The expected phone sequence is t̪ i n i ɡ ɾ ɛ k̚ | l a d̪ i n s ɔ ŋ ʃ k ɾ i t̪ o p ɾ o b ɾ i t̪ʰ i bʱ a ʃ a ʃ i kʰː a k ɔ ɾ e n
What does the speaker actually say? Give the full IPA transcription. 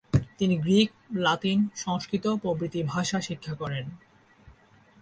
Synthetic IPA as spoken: t̪ i n i ɡ ɾ i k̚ | l a t̪ i n ʃ ɔ ŋ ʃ k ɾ i t̪ o p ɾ o b ɾ i t̪ i bʱ a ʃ a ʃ i kʰː a k ɔ ɾ e n